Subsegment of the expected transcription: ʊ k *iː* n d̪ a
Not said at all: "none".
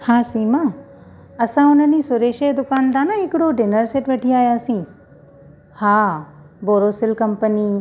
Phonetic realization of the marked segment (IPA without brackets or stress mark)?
aː